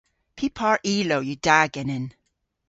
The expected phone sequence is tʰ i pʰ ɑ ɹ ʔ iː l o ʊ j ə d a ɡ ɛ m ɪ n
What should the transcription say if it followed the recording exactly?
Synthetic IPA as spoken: pʰ i pʰ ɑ ɹ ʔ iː l o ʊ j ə d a ɡ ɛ n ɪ n